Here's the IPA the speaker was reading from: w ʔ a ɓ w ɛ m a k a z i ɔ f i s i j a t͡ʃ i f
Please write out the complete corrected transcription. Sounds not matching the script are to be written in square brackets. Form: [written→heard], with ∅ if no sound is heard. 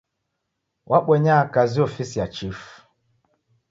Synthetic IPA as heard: w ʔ a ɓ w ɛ [m→ɲ] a k a z i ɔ f i s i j a t͡ʃ i f